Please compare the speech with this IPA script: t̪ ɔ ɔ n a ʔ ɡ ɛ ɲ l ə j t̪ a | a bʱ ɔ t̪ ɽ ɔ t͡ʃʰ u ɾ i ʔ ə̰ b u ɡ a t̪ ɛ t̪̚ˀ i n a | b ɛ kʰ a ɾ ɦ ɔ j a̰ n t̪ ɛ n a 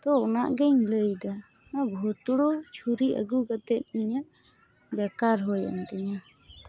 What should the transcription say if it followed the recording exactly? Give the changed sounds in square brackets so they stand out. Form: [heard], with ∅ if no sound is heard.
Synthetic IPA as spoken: t̪ ɔ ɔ n a ʔ ɡ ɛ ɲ l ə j [d̪] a | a bʱ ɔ t̪ ɽ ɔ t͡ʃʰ u ɾ i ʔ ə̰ [ɡ] u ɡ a t̪ ɛ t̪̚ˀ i [ɲ] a | b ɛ [k] a ɾ ɦ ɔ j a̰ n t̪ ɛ [ɲ] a